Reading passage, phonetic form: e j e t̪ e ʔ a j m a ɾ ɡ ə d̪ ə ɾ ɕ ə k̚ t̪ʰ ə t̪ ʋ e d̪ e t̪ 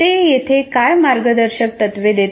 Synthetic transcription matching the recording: e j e t̪ʰ e k a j m a ɾ ɡ ə d̪ ə ɾ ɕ ə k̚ t̪ ə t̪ ʋ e d̪ e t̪